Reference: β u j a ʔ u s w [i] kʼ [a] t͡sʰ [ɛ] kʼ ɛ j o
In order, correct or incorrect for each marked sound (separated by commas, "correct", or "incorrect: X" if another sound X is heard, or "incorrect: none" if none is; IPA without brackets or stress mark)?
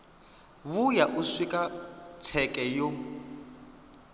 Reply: correct, correct, correct